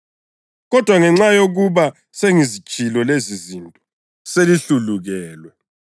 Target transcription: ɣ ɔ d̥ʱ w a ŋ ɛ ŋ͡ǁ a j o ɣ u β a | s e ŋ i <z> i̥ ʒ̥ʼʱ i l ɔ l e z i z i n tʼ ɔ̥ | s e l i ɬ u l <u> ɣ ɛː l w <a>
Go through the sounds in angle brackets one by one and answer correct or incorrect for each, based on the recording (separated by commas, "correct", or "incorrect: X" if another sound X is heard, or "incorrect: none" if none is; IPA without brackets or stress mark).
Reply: correct, correct, incorrect: ɛ